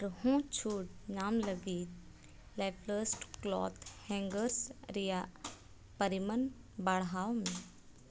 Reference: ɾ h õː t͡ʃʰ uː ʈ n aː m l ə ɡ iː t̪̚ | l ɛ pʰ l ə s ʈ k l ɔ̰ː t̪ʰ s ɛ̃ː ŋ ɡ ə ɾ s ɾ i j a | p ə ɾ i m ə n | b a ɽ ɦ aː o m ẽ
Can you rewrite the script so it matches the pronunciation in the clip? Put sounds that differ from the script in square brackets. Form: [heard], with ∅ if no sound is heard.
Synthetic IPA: ɾ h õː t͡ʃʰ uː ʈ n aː m l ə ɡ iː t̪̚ | l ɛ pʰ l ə s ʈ k l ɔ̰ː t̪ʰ [h] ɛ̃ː ŋ ɡ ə ɾ s ɾ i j a | p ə ɾ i m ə n | b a ɽ ɦ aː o m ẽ